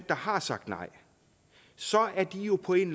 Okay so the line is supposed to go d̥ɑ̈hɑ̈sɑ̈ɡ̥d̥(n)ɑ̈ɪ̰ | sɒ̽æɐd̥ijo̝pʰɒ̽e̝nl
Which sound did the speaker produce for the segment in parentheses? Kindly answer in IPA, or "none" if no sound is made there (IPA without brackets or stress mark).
n